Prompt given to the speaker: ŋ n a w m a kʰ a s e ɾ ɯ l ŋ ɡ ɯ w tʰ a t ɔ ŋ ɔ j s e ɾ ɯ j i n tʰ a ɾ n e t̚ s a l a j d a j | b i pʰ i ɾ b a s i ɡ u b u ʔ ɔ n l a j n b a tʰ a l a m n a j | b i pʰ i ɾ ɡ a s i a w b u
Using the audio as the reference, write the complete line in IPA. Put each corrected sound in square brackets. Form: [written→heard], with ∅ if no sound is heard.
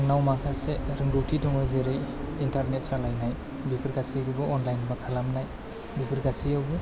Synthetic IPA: ŋ n a w m a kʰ a s e ɾ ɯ [l→∅] ŋ ɡ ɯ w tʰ [a→i] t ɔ ŋ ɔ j [s→z] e ɾ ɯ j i n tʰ a ɾ n e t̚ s a l a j [d→n] a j | b i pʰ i ɾ [b→ɡ] a s i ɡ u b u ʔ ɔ n l a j n b a [tʰ→kʰ] a l a m n a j | b i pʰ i ɾ ɡ a s i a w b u